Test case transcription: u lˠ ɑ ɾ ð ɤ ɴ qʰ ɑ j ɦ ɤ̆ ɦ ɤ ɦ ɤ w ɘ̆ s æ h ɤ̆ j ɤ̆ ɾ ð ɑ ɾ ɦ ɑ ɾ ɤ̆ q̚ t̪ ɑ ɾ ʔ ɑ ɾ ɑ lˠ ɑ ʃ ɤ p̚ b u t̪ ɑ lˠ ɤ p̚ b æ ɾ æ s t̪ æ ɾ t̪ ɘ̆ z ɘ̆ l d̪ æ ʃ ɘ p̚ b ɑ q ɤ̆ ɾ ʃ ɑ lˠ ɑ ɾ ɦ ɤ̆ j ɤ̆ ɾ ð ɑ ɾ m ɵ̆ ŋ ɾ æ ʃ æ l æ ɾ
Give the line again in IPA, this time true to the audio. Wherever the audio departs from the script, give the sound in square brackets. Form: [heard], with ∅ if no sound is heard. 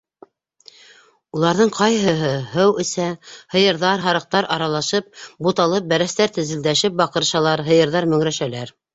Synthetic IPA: u lˠ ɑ ɾ ð ɤ ɴ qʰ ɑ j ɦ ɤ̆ ɦ ɤ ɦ ɤ w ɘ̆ s æ h ɤ̆ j ɤ̆ ɾ ð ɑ ɾ ɦ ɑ ɾ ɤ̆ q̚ t̪ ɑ ɾ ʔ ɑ ɾ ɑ lˠ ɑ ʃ ɤ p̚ b u t̪ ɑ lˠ ɤ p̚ b æ ɾ æ s t̪ æ ɾ t̪ ɘ̆ z ɘ̆ l d̪ æ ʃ ɘ p̚ b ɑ q ɤ̆ ɾ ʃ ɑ lˠ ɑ ɾ ɦ ɤ̆ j ɤ̆ ɾ ð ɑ ɾ m ɵ̆ ŋ ɾ æ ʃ æ l æ ɾ